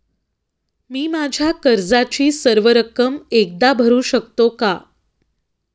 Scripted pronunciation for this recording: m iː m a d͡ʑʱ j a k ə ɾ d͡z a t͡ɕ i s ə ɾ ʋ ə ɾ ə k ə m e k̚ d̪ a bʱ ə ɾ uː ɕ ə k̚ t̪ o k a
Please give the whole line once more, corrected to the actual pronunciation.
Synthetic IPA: m iː m a d͡ʑʱ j a k ə ɾ d͡z a t͡ɕ iː s ə ɾ ʋ ə ɾ ə k ə m e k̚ d̪ a bʱ ə ɾ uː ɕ ə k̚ t̪ o k a

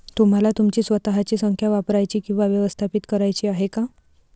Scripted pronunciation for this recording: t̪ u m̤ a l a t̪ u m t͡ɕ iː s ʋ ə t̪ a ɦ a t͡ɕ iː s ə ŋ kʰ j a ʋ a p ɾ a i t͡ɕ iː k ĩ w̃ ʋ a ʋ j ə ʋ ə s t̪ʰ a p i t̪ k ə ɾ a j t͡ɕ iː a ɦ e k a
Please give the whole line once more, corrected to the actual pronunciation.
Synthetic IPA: t̪ u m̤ a l a t̪ u m t͡ɕ iː s ʋ ə t̪ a ɦ a t͡ɕ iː s ə ŋ kʰ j a ʋ a p ɾ a j t͡ɕ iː k ĩ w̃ ʋ a ʋ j ə ʋ ə s t̪ʰ a p i t̪ k ə ɾ a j t͡ɕ iː a ɦ e k a

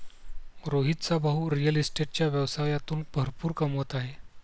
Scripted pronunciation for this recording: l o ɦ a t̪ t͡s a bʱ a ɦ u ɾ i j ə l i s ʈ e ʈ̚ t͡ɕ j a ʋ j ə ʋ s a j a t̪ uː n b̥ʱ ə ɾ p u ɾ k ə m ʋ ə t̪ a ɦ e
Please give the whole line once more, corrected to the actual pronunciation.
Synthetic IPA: ɾ o ɦ i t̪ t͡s a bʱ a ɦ u ɾ i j ə l i s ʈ e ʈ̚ t͡ɕ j a ʋ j ə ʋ s a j a t̪ uː n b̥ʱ ə ɾ p uː ɾ k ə m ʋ ə t̪ a ɦ e

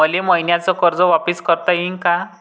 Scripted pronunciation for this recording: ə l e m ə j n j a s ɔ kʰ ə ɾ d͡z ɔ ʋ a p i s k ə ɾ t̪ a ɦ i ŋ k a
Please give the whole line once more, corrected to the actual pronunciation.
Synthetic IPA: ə l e m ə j n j a t͡s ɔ k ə ɾ d͡z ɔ ʋ a p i s k ə ɾ t̪ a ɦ i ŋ k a

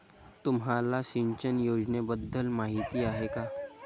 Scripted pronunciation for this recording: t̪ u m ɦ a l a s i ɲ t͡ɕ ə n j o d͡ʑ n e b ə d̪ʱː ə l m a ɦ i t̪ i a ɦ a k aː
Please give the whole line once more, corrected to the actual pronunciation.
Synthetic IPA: t̪ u m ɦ a l a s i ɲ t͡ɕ ə n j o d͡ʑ n e b ə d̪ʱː ə l m a ɦ i t̪ i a ɦ e k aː

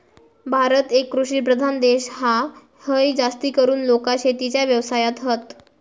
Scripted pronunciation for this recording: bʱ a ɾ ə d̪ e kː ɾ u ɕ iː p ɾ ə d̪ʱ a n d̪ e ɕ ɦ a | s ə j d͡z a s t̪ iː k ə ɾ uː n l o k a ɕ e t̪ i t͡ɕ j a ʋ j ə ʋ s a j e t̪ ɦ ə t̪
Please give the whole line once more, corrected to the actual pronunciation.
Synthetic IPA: bʱ a ɾ ə t̪ e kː ɾ u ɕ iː p ɾ ə d̪ʱ a n d̪ e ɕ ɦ a | h ə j d͡z a s t̪ iː k ə ɾ uː n l o k a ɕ e t̪ i t͡ɕ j a ʋ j ə ʋ s a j a t̪ ɦ ə t̪

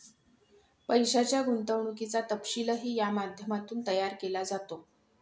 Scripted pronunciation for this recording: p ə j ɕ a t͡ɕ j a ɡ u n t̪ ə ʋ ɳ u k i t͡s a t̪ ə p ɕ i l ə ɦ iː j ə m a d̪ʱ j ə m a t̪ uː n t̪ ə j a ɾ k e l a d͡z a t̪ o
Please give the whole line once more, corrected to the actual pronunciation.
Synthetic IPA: p ə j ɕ a t͡ɕ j a ɡ u n t̪ ə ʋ ɳ u k i t͡s a t̪ ə p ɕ i l ə ɦ iː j a m a d̪ʱ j ə m a t̪ uː n t̪ ə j a ɾ k e l a d͡z a t̪ o

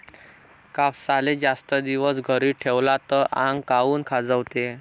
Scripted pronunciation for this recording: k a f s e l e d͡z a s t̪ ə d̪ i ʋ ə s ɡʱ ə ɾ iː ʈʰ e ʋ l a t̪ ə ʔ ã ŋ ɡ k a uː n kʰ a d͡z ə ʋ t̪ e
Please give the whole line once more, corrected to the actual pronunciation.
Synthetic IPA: k a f s a l e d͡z a s t̪ ə d̪ i ʋ ə s ɡʱ ə ɾ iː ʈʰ e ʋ l a t̪ ə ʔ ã ŋ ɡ k a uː n kʰ a d͡z ə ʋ t̪ e

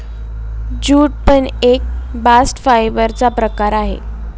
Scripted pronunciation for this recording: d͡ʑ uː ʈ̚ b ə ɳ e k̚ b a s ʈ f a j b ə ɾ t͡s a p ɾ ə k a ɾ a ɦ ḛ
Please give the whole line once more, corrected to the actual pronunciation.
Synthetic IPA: d͡ʑ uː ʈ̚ p ə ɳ e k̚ b a s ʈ f a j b ə ɾ t͡s a p ɾ ə k a ɾ a ɦ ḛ

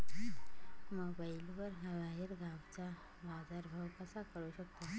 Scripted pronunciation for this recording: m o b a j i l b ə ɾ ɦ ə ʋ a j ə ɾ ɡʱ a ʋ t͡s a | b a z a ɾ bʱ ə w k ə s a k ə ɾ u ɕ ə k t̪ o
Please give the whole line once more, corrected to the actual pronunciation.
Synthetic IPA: m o b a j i l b ə ɾ ɦ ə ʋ a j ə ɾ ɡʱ a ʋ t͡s a | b a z a ɾ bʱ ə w k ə s a k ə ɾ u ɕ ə k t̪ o

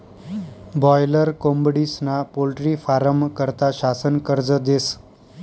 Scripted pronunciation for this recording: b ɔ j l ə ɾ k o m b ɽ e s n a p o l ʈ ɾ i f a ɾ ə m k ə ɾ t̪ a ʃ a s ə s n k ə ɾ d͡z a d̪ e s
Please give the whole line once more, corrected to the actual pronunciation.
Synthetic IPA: b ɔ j l ə ɾ k o m b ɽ i s n a p o l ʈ ɾ i f a ɾ ə m k ə ɾ t̪ a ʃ a s ə n k ə ɾ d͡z ə d̪ e s

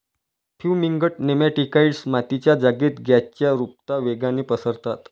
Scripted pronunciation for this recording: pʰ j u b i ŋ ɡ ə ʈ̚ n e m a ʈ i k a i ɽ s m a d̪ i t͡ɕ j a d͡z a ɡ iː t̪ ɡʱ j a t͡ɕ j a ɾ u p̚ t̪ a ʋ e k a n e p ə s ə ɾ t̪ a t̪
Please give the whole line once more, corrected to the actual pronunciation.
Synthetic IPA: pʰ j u m i ŋ ɡ ə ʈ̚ n e m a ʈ i k a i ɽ s m a t̪ i t͡ɕ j a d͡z a ɡ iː t̪ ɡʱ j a t͡ɕ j a ɾ u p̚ t̪ a ʋ e ɡ a n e p ə s ə ɾ t̪ a t̪

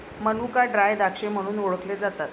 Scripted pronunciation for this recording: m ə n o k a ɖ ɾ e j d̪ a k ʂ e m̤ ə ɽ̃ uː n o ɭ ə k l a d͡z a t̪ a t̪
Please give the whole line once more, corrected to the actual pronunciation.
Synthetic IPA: m ə n u k a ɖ ɾ a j d̪ a k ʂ e m̤ ə ɽ̃ uː n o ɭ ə k l e d͡z a t̪ a t̪

